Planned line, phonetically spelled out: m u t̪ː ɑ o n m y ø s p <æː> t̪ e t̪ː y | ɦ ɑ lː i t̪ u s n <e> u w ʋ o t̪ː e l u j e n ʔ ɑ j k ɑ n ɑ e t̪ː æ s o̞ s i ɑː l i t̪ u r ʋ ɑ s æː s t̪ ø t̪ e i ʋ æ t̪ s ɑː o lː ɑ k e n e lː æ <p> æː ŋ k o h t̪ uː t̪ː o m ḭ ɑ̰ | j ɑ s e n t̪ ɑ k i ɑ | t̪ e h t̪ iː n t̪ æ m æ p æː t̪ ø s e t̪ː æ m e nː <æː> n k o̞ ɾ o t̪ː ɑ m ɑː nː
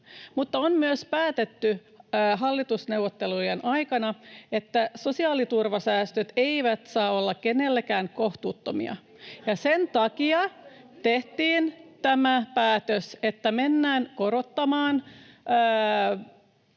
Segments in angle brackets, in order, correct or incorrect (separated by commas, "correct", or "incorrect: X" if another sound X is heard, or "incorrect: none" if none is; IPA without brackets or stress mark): correct, correct, incorrect: k, correct